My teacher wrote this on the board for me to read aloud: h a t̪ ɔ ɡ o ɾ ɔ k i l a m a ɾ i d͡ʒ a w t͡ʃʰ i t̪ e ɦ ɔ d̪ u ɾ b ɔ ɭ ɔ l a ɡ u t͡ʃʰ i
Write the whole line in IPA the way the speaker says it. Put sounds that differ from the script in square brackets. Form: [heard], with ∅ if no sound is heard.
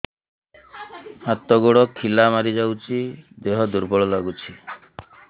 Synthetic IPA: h a t̪ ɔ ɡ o [ɽ] ɔ [kʰ] i l a m a ɾ i d͡ʒ a w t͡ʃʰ i [d̪] e ɦ ɔ d̪ u ɾ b ɔ ɭ ɔ l a ɡ u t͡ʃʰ i